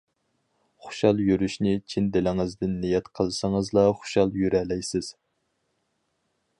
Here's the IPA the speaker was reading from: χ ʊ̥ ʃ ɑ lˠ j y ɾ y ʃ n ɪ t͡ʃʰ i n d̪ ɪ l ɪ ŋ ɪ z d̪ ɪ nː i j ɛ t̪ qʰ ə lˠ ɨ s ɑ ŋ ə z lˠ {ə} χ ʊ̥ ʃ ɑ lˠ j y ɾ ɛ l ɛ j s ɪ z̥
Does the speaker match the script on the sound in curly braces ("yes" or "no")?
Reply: no